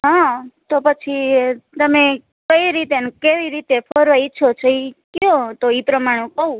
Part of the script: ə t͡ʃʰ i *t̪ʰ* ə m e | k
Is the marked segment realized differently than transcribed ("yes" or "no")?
yes